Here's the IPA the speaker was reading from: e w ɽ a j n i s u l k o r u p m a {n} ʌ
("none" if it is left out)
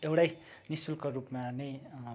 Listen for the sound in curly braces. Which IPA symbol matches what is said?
n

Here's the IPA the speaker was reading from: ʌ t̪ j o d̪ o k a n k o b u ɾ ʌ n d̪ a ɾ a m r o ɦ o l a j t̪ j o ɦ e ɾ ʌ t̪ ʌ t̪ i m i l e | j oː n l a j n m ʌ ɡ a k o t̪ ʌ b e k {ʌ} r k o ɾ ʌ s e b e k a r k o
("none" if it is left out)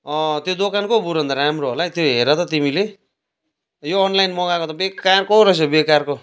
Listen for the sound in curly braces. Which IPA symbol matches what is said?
a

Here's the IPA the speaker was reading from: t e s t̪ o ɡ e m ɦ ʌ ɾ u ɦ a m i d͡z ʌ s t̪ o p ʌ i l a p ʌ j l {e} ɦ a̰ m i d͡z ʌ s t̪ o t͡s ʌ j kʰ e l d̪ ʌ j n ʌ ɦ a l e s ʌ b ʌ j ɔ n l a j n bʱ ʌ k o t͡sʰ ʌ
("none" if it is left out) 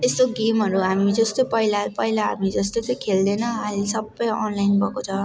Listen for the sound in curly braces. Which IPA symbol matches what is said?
a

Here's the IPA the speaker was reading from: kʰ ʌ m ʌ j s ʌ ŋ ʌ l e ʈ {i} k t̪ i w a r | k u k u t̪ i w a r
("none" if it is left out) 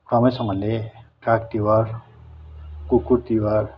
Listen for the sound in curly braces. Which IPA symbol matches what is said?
a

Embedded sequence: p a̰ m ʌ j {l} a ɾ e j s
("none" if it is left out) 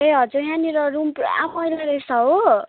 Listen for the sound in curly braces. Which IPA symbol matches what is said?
l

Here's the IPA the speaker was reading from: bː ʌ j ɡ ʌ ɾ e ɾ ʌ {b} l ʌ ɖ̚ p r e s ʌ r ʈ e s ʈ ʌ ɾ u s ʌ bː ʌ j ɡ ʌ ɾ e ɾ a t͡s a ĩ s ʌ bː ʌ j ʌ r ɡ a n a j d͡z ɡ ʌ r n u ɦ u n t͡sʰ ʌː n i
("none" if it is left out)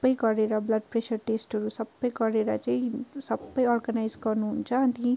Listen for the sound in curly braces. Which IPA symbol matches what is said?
b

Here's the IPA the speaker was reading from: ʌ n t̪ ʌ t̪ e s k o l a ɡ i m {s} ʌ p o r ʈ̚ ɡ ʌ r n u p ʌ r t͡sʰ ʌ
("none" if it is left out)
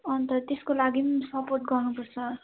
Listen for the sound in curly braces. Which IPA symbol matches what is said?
s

